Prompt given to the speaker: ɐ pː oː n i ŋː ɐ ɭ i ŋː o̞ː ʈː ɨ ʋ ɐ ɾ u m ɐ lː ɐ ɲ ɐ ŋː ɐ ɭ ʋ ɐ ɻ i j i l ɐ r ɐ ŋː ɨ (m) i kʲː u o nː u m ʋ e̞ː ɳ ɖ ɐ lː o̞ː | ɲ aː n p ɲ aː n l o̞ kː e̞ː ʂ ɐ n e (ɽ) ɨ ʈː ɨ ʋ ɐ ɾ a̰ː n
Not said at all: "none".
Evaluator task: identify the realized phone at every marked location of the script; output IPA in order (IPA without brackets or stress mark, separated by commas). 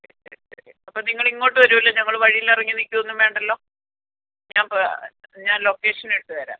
n, ɽ